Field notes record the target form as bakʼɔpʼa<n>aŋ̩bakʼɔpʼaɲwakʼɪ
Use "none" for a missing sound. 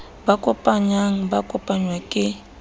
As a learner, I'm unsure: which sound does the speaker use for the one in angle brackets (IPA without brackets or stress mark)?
ɲ